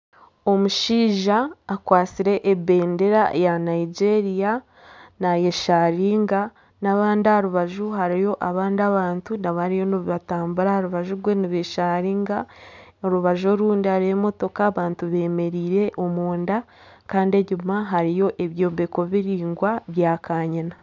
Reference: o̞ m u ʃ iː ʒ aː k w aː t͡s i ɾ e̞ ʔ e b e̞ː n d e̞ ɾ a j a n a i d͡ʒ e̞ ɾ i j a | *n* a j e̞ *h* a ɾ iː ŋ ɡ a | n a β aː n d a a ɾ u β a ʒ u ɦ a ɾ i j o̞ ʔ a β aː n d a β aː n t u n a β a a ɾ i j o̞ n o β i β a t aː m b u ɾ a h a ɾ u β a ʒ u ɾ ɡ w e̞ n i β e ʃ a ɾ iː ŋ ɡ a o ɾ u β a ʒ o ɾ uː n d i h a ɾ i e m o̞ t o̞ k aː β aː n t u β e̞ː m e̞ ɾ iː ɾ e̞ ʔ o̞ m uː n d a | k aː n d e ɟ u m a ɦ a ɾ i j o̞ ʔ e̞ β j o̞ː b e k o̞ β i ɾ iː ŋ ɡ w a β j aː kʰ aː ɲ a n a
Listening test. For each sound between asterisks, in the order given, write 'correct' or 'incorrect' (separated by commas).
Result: correct, incorrect